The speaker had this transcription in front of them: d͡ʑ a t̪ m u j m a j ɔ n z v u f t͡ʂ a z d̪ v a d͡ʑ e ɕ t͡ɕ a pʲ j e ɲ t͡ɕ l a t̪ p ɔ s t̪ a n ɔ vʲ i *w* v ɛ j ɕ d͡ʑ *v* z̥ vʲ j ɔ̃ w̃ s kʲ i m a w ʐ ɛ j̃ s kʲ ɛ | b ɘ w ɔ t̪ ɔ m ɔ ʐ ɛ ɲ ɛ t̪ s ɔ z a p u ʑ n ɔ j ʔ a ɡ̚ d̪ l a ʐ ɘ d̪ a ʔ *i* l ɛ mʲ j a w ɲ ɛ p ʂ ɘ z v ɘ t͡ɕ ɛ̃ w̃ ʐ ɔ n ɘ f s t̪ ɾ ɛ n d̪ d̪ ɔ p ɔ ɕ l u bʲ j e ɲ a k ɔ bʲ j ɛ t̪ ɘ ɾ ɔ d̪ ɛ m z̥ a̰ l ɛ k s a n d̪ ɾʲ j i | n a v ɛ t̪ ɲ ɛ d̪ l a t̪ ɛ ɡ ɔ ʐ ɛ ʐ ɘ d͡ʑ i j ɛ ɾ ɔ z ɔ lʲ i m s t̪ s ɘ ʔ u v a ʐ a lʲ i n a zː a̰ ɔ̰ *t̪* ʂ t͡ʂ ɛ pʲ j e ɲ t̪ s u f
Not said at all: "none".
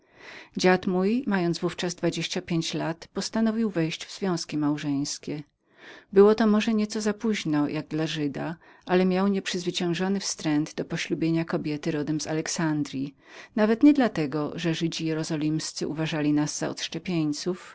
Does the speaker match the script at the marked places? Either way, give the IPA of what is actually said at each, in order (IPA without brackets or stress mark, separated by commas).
w, v, a, t̪